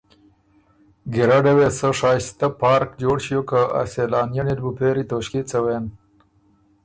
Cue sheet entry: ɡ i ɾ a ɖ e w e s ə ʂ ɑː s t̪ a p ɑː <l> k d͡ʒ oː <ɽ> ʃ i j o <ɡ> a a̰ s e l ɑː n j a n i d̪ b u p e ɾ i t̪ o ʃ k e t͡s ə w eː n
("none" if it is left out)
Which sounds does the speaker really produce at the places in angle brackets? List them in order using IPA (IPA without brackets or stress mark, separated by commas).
ɾ, ɽ, k